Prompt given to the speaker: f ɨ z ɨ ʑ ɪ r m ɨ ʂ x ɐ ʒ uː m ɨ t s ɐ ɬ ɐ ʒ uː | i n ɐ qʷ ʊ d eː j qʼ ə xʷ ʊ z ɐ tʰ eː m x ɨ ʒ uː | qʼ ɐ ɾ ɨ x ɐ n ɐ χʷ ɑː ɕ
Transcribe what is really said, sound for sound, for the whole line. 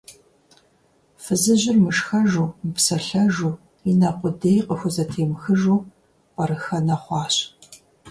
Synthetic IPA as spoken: f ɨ z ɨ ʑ ɪ r m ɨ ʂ x ɐ ʒ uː m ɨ p s ɐ ɬ ɐ ʒ uː | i n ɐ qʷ ʊ d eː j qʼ ə xʷ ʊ z ɐ tʰ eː m x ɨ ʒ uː | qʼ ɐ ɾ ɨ x ɐ n ɐ χʷ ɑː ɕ